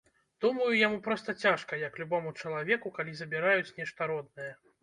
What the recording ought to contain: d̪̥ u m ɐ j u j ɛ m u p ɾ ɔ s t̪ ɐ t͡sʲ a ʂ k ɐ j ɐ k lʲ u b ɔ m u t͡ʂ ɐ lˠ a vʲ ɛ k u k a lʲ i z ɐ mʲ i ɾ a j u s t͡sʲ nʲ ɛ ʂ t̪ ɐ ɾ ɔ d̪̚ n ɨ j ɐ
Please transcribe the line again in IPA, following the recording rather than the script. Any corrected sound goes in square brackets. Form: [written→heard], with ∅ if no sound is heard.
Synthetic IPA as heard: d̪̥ u m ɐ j u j [ɛ→a] m u p ɾ ɔ s t̪ ɐ t͡sʲ a ʂ k ɐ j ɐ k lʲ u b ɔ m u t͡ʂ ɐ lˠ a vʲ ɛ k u k a lʲ i z ɐ [mʲ→bʲ] i ɾ a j u [s→∅] t͡sʲ nʲ ɛ ʂ t̪ ɐ ɾ ɔ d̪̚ n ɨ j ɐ